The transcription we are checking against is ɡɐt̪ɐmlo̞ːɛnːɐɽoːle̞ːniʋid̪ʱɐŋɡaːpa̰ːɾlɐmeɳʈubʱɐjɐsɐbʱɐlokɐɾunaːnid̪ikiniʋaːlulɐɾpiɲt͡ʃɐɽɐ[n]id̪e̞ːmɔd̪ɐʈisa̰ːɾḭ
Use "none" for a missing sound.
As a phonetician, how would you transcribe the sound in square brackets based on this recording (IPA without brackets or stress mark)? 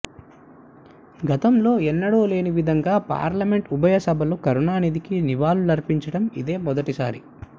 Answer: m